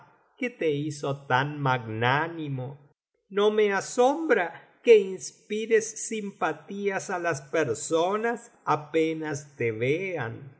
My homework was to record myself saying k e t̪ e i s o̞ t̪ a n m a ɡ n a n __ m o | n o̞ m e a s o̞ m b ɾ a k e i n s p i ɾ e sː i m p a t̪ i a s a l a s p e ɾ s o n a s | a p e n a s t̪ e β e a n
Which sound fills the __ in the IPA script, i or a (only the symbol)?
i